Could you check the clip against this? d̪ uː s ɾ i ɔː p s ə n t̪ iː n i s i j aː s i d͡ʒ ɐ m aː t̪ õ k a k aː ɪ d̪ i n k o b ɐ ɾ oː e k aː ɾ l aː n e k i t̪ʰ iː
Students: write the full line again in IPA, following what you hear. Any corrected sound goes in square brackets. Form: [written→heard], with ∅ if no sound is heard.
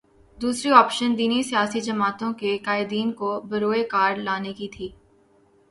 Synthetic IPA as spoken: d̪ uː s ɾ i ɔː p [s→ʃ] ə n [t̪→d̪] iː n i s i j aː s i d͡ʒ ɐ m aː t̪ õ k [a→e] k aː ɪ d̪ [i→iː] n k o b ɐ ɾ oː e k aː ɾ l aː n e k i t̪ʰ iː